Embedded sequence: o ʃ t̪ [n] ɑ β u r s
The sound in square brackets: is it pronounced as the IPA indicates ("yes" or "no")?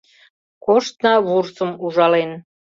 yes